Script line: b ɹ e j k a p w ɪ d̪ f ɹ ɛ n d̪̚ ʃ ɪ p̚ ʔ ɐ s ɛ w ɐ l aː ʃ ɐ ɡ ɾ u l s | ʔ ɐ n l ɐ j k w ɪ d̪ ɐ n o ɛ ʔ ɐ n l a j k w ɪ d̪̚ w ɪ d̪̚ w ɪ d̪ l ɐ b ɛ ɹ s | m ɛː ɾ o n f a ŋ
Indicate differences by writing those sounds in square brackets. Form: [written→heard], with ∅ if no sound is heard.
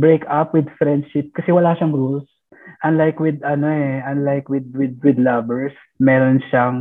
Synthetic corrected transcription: b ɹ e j k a p w ɪ d̪ f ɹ ɛ n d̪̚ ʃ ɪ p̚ [ʔ→k] ɐ s ɛ w ɐ l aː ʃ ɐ [ɡ→ŋ] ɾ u l s | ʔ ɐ n l [ɐ→a] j k w ɪ d̪ ɐ n o ɛ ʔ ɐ n l a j k w ɪ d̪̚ w ɪ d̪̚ w ɪ d̪ l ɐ b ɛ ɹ s | m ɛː ɾ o n [f→ʃ] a ŋ